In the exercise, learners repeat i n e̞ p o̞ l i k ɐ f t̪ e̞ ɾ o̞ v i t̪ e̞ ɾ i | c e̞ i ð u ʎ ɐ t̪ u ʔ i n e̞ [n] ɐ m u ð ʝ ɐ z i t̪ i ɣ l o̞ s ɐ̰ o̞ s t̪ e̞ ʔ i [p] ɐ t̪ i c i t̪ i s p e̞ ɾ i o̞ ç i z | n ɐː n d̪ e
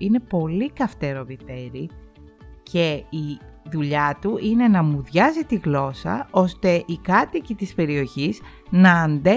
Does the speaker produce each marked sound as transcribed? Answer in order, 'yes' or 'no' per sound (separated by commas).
yes, no